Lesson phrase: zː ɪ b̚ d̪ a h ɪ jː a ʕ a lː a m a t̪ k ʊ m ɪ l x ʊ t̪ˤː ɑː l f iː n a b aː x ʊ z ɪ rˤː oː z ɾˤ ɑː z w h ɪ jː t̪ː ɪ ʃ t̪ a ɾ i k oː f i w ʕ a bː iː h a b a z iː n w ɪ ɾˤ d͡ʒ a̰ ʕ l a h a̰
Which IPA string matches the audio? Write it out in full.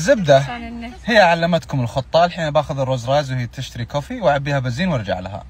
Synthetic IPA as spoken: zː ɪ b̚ d̪ a h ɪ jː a ʕ a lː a m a t̪ k ʊ m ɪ l x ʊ t̪ˤː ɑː l ħ iː n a b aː x ʊ ð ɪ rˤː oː z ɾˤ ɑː z w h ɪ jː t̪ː ɪ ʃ t̪ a ɾ i k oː f i w ʕ a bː iː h a b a z iː n w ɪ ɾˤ d͡ʒ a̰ ʕ l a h a̰

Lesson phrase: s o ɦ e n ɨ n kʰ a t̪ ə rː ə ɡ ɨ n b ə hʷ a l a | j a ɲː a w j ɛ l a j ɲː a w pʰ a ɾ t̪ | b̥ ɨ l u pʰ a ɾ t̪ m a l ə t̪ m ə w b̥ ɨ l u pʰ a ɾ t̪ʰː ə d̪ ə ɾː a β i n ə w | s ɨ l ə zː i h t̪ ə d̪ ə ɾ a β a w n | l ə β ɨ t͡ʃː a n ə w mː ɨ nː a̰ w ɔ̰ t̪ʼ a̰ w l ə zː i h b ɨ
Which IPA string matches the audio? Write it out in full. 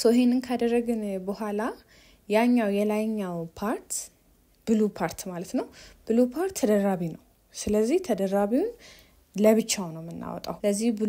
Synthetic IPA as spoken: s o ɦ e n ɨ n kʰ a d̪ ə rː ə ɡ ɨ n b ə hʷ a l a | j a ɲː a w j ɛ l a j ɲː a w pʰ a ɾ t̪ | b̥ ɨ l u pʰ a ɾ t̪ m a l ə t̪ n ə w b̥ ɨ l u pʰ a ɾ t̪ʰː ə d̪ ə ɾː a β i n ə w | s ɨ l ə zː i h t̪ʰ ə d̪ ə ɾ a β i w n | l ə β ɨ t͡ʃː a n ə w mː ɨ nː a̰ w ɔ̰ t̪ʼ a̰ w l ə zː i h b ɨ

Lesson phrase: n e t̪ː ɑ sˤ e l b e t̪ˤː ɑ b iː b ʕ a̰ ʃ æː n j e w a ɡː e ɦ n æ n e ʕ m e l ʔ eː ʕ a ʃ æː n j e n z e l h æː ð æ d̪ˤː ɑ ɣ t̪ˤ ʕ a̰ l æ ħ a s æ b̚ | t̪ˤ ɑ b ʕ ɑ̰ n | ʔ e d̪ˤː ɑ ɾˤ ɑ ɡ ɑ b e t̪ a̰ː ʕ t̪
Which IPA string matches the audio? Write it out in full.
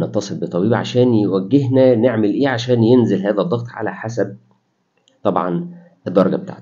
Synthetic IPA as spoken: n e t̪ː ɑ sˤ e l b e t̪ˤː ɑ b iː b ʕ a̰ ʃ æː n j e w æ ɡː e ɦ n æ n e ʕ m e l ʔ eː ʕ a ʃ æː n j e n z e l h æː ð æ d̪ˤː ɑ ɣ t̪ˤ ʕ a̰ l æ ħ a s æ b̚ | t̪ˤ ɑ b ʕ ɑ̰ n | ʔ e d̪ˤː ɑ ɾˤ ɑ ɡ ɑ b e t̪ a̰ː ʕ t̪

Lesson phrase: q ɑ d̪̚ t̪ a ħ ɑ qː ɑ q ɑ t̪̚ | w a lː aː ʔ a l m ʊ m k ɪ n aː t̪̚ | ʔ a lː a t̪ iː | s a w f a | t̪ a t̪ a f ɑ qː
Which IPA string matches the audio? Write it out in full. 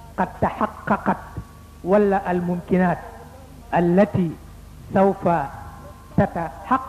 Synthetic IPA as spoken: q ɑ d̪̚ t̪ a ħ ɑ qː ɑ q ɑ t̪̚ | w a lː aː ʔ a l m ʊ m k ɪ n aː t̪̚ | ʔ a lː a t̪ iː | s a w f a | t̪ a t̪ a ħ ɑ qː

